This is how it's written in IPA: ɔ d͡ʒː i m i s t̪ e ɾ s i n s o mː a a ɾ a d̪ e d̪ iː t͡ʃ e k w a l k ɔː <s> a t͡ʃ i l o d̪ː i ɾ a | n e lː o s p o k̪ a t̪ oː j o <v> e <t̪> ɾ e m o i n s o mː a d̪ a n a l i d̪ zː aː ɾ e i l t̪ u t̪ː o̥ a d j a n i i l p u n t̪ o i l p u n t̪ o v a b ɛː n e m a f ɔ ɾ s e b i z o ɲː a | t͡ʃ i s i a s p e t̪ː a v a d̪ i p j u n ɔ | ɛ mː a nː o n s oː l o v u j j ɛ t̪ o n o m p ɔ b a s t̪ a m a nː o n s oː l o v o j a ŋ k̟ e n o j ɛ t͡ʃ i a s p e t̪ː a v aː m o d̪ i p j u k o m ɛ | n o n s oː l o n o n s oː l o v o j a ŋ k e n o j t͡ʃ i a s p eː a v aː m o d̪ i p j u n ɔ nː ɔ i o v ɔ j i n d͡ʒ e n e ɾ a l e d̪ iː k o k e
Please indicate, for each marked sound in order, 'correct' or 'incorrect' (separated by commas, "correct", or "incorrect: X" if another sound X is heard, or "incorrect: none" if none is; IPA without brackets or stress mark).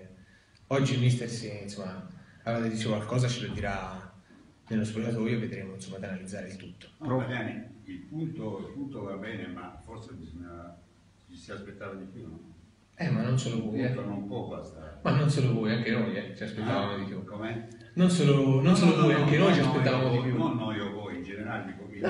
incorrect: z, correct, incorrect: d̪